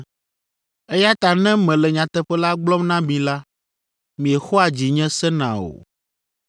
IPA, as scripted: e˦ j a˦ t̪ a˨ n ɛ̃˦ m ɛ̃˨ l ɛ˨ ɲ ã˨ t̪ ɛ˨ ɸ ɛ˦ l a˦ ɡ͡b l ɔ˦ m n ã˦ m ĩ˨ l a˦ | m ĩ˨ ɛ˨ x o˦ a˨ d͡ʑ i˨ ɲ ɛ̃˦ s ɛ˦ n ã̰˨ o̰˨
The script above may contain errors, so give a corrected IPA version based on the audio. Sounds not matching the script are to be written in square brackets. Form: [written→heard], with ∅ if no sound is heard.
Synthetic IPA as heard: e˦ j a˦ t̪ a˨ n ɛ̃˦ m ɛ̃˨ l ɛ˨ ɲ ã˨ t̪ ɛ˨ ɸ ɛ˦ l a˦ ɡ͡b l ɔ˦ m n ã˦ m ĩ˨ l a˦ | m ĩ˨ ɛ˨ x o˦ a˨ d͡ʑ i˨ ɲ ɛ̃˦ s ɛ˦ n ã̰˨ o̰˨